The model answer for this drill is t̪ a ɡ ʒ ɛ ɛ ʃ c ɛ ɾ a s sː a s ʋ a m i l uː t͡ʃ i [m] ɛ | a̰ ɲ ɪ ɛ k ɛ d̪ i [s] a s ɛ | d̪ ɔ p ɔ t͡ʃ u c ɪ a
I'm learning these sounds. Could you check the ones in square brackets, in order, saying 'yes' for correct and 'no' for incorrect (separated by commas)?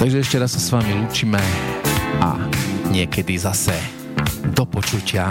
yes, no